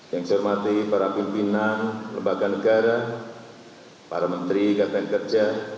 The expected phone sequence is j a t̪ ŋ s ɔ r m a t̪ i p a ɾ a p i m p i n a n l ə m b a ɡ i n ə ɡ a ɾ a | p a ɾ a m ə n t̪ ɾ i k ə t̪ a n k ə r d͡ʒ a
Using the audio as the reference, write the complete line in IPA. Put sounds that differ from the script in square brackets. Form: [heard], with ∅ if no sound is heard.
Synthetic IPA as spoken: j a [∅] ŋ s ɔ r m a t̪ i p a ɾ a p i m p i n a n l ə m b a ɡ [a] n ə ɡ a ɾ a | p a ɾ a m ə n t̪ ɾ i k [a] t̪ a n k ə r d͡ʒ a